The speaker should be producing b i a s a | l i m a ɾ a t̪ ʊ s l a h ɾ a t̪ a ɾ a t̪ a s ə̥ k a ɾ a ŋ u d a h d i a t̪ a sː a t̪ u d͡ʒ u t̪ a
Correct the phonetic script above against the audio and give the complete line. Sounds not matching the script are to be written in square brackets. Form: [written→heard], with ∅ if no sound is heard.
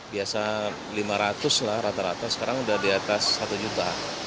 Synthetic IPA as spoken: b i a s a | l i m a ɾ a t̪ ʊ s l a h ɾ a t̪ a ɾ a t̪ a s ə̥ k a ɾ a ŋ u d a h d i a t̪ a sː a t̪ u d͡ʒ u t̪ a